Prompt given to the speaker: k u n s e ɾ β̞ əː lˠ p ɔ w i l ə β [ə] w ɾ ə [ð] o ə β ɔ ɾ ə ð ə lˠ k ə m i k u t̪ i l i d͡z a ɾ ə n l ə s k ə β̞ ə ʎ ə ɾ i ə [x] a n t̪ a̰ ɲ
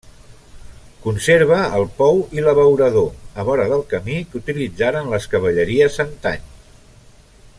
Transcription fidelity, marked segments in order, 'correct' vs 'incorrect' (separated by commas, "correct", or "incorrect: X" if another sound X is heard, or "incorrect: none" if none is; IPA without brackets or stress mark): correct, correct, incorrect: s